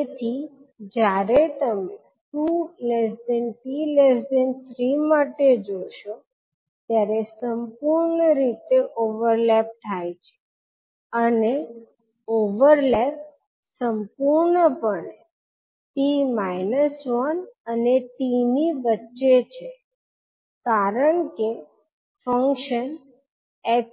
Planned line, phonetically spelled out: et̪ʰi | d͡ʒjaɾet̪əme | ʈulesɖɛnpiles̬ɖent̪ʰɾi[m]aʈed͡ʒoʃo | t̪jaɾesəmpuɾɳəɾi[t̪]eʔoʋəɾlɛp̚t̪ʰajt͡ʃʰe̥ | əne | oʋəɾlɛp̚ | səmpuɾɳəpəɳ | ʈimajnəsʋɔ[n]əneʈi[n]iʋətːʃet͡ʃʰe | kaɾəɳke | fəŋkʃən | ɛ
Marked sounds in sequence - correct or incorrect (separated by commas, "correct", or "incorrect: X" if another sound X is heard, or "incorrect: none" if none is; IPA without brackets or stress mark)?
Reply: correct, correct, correct, correct